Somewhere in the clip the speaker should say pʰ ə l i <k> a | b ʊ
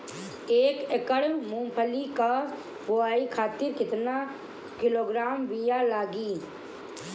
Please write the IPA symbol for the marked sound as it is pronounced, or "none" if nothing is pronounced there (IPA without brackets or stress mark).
k